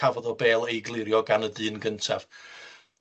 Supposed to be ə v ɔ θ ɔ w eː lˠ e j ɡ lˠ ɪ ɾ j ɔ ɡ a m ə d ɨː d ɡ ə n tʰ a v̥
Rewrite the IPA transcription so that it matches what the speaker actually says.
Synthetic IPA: a v ɔ ð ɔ b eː lˠ e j ɡ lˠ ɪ ɾ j ɔ ɡ a n ə d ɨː n ɡ ə n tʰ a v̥